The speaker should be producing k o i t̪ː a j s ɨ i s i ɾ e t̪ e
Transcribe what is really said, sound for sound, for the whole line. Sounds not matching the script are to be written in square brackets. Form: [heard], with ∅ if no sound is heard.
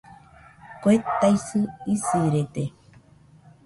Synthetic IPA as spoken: k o [e] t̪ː a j s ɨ i s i ɾ e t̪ e